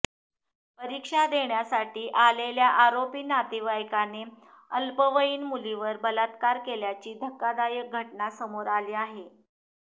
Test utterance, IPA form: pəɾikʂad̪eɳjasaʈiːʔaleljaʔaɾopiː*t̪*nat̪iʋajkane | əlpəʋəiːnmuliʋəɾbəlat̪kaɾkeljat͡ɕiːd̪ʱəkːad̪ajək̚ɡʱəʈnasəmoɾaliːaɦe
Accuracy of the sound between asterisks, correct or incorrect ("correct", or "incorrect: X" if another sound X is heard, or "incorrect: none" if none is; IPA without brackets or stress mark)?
incorrect: none